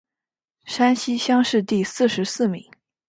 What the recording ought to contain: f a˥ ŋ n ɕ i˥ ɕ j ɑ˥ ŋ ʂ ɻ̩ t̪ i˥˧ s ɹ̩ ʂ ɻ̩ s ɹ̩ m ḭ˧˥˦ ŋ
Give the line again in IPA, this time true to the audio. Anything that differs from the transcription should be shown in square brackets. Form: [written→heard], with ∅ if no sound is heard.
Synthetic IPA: [f→ʂ] a˥ [ŋ→∅] n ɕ i˥ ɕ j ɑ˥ ŋ ʂ ɻ̩ t̪ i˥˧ s ɹ̩ ʂ ɻ̩ s ɹ̩ m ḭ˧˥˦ ŋ